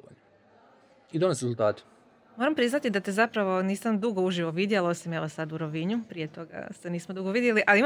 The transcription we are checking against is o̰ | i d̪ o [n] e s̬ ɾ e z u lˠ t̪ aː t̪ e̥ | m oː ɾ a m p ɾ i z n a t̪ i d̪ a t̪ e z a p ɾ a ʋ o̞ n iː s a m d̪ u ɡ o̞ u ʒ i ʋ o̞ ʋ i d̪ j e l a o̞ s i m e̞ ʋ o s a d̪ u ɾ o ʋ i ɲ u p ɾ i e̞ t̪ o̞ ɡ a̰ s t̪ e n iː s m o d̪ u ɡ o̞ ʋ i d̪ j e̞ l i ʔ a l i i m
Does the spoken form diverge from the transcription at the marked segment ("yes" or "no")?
no